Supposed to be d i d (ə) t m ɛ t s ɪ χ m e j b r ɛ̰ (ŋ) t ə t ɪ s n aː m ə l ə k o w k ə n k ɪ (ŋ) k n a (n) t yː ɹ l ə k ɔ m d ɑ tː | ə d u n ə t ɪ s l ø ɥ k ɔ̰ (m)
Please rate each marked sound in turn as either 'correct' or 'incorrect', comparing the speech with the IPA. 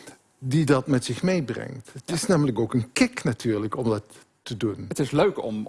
incorrect: ɑ, correct, incorrect: none, incorrect: none, correct

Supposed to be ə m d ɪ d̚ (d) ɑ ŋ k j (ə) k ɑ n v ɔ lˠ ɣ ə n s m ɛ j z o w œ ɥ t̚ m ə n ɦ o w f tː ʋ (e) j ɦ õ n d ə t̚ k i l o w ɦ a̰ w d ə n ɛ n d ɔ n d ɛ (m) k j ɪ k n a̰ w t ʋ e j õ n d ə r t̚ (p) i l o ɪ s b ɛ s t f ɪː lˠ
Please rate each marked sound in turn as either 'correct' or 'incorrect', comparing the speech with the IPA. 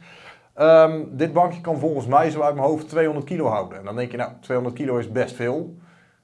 incorrect: b, correct, correct, incorrect: ŋ, incorrect: k

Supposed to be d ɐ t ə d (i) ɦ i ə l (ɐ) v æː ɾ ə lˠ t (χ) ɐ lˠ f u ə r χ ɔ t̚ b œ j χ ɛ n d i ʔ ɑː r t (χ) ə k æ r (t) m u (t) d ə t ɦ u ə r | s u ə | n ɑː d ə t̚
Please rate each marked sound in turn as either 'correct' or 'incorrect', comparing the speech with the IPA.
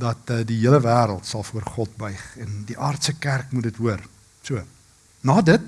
correct, incorrect: ə, incorrect: s, incorrect: s, incorrect: k, correct

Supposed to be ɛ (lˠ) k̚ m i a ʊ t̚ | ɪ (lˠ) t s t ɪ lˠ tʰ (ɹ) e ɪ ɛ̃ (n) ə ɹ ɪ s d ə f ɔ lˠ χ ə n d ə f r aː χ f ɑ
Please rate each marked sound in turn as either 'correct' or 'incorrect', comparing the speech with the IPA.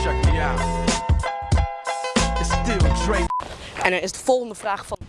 incorrect: none, incorrect: none, correct, correct

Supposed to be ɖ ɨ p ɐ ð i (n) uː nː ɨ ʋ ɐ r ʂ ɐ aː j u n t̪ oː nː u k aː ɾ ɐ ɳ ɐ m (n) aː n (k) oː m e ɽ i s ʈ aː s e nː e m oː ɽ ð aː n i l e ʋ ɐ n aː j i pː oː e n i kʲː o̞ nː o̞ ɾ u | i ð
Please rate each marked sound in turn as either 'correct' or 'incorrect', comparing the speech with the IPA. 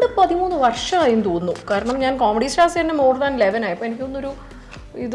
incorrect: m, incorrect: ɲ, correct

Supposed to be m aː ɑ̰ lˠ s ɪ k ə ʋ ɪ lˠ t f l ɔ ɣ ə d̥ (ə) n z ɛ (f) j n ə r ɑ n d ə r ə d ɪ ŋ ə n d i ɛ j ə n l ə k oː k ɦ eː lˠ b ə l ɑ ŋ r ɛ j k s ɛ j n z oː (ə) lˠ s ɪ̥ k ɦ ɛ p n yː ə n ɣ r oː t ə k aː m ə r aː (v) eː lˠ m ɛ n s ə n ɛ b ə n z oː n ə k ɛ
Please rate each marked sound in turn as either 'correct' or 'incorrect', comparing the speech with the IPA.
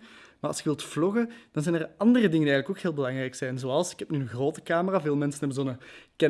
incorrect: ɑ, incorrect: none, incorrect: ɑ, correct

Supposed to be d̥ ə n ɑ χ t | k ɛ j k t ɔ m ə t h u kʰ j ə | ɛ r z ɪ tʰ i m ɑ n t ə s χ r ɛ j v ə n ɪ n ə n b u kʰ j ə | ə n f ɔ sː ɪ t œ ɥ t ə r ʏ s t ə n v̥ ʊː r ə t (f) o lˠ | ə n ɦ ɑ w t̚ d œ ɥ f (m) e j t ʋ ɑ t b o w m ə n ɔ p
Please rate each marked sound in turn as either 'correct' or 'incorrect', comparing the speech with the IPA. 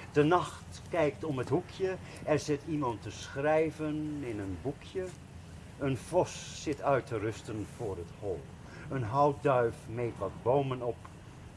incorrect: h, correct

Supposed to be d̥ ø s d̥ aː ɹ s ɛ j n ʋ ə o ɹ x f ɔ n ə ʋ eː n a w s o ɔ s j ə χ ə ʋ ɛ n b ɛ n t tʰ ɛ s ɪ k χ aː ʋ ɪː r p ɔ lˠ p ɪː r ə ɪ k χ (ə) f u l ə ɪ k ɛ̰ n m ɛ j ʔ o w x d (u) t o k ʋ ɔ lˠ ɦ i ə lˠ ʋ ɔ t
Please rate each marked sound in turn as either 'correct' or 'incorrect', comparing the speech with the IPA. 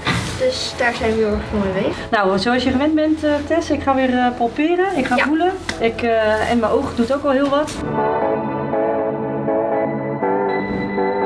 incorrect: a, correct

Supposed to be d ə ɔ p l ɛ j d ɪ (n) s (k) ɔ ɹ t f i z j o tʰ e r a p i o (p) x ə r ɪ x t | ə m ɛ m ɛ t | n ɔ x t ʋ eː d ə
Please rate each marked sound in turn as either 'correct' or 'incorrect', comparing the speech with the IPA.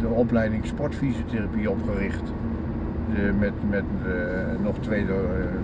incorrect: ŋ, incorrect: p, correct

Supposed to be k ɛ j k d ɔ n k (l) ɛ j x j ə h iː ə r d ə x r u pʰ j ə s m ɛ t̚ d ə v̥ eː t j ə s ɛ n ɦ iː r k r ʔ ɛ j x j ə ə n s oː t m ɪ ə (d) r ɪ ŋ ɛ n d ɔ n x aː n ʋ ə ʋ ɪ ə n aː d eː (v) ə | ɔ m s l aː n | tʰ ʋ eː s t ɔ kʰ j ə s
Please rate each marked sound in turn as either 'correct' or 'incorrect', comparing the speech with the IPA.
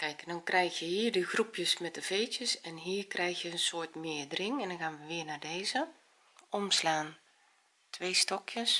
incorrect: r, correct, incorrect: z

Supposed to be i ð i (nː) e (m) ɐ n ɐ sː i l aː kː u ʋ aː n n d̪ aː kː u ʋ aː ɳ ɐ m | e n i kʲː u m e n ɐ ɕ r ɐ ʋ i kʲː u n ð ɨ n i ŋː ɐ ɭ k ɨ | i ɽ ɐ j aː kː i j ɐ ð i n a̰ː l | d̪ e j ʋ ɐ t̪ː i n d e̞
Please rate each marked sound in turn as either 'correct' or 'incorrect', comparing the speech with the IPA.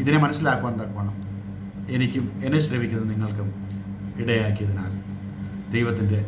incorrect: n, correct

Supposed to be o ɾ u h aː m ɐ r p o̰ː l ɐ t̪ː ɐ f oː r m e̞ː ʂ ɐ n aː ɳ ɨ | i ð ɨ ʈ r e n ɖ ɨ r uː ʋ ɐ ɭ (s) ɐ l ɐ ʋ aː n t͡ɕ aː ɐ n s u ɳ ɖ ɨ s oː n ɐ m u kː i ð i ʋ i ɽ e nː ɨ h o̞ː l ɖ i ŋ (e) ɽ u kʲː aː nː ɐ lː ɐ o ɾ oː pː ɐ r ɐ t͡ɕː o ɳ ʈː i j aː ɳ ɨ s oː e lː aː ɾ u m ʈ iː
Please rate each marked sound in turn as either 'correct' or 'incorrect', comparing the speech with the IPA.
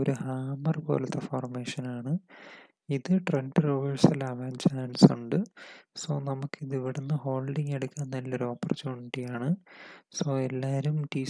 correct, correct

